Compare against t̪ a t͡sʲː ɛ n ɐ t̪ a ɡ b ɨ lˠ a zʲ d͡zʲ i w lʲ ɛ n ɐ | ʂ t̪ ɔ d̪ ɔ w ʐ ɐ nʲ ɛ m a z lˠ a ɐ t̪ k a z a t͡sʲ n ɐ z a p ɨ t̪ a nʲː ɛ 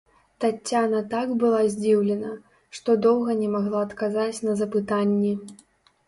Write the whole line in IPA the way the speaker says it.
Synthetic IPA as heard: t̪ a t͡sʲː a n ɐ t̪ a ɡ b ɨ lˠ a zʲ d͡zʲ i w lʲ ɛ n ɐ | ʂ t̪ ɔ d̪ ɔ w ɣ ɐ nʲ ɛ m a ɣ lˠ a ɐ t̪ k a z a t͡sʲ n ɐ z ɐ p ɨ t̪ a nʲː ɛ